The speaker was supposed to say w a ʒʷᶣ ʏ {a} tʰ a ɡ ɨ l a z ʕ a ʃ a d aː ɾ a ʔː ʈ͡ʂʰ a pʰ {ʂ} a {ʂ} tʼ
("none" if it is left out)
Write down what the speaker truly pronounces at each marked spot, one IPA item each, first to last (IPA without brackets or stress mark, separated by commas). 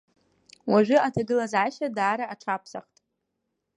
a, s, χ